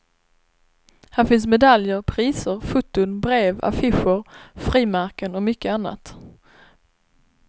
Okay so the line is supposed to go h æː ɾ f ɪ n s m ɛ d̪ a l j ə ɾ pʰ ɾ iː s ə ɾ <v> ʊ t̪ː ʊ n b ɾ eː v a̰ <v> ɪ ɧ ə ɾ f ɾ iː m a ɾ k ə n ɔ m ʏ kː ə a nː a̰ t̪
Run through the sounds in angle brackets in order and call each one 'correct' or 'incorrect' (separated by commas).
incorrect, incorrect